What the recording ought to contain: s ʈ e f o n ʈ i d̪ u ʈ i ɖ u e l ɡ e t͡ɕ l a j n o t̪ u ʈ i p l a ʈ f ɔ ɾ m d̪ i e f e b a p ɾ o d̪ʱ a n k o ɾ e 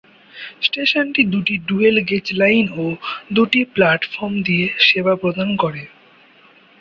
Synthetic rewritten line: s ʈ e ʃ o n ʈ i d̪ u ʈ i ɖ u e l ɡ e t͡ɕ l a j n o d̪ u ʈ i p l a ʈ f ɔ ɾ m d̪ i e ʃ e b a p ɾ o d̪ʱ a n k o ɾ e

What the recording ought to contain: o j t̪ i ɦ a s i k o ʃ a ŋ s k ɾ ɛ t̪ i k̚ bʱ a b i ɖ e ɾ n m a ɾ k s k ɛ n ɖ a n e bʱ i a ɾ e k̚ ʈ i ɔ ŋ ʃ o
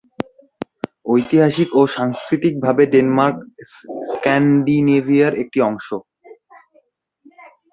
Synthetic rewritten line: o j t̪ i ɦ a ʃ i k o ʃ a ŋ s k ɾ i t̪ i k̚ bʱ a b e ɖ e n m a ɾ k s k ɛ n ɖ i n e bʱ i a ɾ e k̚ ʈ i ɔ ŋ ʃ o

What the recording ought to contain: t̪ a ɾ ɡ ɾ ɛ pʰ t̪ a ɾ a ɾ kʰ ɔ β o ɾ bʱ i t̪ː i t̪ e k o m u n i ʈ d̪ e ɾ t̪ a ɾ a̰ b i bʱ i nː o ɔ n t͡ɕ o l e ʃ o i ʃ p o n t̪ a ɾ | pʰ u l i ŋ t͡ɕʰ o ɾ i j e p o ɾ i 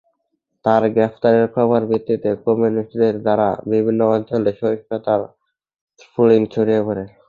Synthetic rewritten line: t̪ a ɾ ɡ ɾ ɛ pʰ t̪ a ɾ e ɾ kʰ ɔ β o ɾ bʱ i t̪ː i t̪ e k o m u n i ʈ d̪ e ɾ d̪ a ɾ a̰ b i bʱ i nː o ɔ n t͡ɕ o l e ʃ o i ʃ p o t̪ a ɾ | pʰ u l i ŋ t͡ɕʰ o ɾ i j e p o ɾ e

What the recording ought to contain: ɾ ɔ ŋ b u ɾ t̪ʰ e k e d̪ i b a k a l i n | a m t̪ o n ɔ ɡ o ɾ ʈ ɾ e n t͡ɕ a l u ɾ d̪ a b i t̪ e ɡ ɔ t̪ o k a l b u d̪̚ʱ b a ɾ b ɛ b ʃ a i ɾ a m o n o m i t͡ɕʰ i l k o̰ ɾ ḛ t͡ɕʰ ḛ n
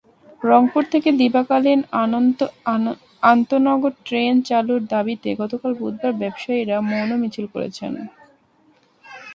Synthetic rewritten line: ɾ ɔ ŋ p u ɾ t̪ʰ e k e d̪ i b a k a l i n | a n t̪ o n ɔ ɡ o ɾ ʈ ɾ e n t͡ɕ a l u ɾ d̪ a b i t̪ e ɡ ɔ t̪ o k a l b u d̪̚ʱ b a ɾ b ɛ b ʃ a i ɾ a m o n o m i t͡ɕʰ i l k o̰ ɾ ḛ t͡ɕʰ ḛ n

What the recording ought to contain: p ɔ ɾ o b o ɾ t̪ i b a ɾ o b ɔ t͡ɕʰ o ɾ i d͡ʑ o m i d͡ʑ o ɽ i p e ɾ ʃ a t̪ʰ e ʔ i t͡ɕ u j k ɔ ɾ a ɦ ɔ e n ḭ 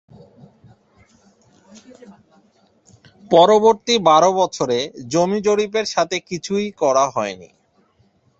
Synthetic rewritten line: p ɔ ɾ o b o ɾ t̪ i b a ɾ o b ɔ t͡ɕʰ o ɾ e d͡ʑ o m i d͡ʑ o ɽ i p e ɾ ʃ a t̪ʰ e k i t͡ɕʰ u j k ɔ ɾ a ɦ ɔ e n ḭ

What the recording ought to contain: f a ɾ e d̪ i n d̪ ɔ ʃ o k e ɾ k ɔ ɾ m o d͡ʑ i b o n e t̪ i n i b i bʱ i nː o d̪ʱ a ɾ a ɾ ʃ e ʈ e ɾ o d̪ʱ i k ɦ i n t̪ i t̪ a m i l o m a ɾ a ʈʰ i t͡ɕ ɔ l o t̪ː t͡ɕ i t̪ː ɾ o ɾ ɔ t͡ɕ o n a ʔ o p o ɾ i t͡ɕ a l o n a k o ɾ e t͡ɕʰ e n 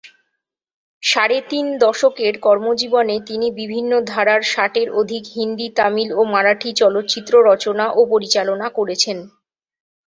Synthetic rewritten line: ʃ a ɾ e t̪ i n d̪ ɔ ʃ o k e ɾ k ɔ ɾ m o d͡ʑ i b o n e t̪ i n i b i bʱ i nː o d̪ʱ a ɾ a ɾ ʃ a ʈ e ɾ o d̪ʱ i k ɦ i n d̪ i t̪ a m i l o m a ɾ a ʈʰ i t͡ɕ ɔ l o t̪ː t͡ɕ i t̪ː ɾ o ɾ ɔ t͡ɕ o n a ʔ o p o ɾ i t͡ɕ a l o n a k o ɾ e t͡ɕʰ e n

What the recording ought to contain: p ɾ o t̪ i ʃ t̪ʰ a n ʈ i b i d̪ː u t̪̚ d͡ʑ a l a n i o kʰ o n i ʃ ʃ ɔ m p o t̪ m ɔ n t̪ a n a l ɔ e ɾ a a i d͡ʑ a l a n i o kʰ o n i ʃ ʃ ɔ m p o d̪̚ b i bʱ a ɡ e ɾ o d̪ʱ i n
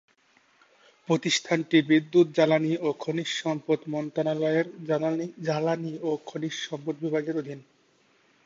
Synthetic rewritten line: p ɾ o t̪ i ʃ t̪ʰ a n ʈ i b i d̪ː u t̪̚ d͡ʑ a l a n i o kʰ o n i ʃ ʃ ɔ m p o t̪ m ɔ n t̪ a n a l ɔ e ɾ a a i d͡ʑ a l a n i o kʰ o n i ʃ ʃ ɔ m p o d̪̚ b i bʱ a ɡ e ɾ o d̪ʱ i n

